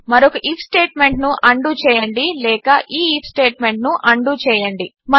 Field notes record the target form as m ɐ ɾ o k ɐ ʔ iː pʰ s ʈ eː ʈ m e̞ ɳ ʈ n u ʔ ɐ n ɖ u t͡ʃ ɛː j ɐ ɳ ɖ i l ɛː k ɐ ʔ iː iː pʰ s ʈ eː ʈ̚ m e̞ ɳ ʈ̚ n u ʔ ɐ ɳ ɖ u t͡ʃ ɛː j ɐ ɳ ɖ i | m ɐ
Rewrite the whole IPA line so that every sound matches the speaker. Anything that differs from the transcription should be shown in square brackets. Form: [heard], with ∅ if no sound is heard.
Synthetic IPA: m ɐ ɾ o k ɐ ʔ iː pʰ s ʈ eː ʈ m e̞ ɳ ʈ n u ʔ ɐ [ɳ] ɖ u t͡ʃ ɛː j ɐ ɳ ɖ i l ɛː k ɐ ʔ iː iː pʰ s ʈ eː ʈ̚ m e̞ ɳ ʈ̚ n u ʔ ɐ ɳ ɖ u t͡ʃ ɛː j ɐ ɳ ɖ i | m ɐ